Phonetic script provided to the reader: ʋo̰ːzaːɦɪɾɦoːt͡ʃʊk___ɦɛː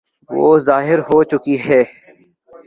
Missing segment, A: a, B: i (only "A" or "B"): B